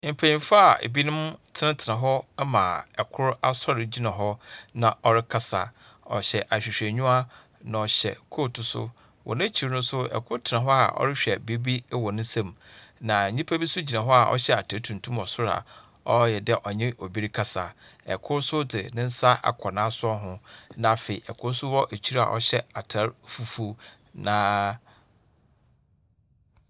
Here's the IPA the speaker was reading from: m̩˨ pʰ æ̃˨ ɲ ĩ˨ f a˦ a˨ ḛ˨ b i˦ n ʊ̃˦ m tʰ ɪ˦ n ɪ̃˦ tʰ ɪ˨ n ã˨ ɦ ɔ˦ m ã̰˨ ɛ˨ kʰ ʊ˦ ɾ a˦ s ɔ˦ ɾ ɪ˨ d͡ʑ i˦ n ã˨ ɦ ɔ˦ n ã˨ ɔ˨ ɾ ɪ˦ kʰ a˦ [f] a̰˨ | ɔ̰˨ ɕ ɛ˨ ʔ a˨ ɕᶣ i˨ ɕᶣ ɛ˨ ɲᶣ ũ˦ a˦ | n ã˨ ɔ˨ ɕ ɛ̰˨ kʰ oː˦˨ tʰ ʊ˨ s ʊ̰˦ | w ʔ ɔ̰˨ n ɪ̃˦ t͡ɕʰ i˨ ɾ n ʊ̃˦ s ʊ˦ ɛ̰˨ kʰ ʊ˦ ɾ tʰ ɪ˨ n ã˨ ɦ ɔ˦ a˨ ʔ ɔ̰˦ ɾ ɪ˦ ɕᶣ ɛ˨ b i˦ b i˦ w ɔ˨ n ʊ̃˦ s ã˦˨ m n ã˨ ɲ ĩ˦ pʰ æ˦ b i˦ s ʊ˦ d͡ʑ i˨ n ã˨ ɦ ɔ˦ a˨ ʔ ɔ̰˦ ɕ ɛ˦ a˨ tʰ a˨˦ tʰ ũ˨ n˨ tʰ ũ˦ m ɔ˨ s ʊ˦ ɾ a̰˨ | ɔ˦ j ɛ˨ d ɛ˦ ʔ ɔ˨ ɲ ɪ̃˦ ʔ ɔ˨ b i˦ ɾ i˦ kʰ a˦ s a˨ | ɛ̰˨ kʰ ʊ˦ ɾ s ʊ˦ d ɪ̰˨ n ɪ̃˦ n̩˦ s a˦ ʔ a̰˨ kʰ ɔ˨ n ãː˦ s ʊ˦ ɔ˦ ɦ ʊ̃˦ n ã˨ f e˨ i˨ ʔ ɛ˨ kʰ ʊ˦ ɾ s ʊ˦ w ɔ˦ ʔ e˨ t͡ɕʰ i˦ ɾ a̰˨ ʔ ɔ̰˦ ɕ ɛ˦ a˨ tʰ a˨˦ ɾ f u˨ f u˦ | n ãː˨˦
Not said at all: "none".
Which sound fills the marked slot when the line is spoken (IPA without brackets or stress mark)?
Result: s